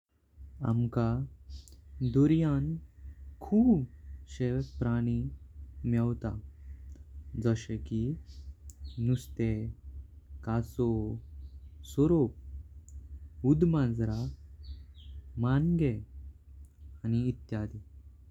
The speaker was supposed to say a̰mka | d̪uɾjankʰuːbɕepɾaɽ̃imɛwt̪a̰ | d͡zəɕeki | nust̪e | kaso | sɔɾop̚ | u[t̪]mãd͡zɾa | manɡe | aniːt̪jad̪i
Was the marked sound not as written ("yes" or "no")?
yes